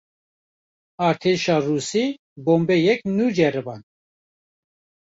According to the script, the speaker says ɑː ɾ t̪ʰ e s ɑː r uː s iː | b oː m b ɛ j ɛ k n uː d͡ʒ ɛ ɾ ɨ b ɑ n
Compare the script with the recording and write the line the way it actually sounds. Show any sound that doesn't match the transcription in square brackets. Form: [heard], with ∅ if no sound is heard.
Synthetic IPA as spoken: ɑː ɾ t̪ʰ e [ʃ] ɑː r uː s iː | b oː m b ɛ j ɛ k n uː d͡ʒ ɛ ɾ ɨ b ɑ n

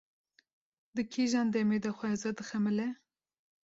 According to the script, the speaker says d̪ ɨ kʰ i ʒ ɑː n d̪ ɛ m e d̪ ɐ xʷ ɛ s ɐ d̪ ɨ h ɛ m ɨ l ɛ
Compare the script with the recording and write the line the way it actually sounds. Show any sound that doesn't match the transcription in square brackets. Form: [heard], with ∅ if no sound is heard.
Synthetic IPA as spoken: d̪ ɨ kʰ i ʒ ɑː n d̪ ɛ m e d̪ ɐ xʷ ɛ [z] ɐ d̪ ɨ [x] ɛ m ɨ l ɛ

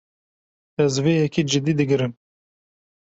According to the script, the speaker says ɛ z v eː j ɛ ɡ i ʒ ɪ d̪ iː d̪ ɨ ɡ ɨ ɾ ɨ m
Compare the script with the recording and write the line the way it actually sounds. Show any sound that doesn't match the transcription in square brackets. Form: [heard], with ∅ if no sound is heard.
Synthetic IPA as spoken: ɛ z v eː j ɛ [k] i [d͡ʒ] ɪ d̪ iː d̪ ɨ ɡ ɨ ɾ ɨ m

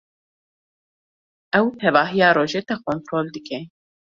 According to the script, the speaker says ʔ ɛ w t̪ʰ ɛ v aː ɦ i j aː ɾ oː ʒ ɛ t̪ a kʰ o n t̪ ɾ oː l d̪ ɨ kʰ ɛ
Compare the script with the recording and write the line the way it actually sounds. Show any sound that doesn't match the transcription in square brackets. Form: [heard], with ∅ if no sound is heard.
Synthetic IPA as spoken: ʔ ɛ w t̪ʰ ɛ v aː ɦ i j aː ɾ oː ʒ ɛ t̪ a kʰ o n t̪ ɾ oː l d̪ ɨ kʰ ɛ

